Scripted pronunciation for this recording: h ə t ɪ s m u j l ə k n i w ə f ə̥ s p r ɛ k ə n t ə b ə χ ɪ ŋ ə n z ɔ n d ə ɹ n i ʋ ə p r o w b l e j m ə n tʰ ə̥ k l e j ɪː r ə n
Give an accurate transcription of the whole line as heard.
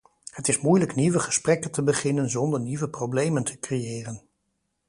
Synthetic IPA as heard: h ə t ɪ s m u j l ə k n i ʋ ə χ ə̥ s p r ɛ k ə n t ə b ə χ ɪ n ə n z ɔ n d ə ɹ n i ʋ ə p r o w b l e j m ə n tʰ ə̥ k r e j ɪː r ə n